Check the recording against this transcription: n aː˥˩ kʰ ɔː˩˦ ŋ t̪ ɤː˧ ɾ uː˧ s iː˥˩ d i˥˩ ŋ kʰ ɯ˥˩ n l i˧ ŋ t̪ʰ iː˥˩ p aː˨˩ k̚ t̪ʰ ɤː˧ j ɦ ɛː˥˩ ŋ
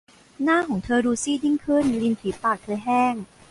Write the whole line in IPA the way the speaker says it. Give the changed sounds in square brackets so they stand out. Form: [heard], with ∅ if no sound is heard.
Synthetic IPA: n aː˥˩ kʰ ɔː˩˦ ŋ [t̪ʰ] ɤː˧ ɾ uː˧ s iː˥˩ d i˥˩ ŋ kʰ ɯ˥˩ n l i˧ [n] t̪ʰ [iː˩˦] p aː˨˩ k̚ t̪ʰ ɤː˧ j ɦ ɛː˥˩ ŋ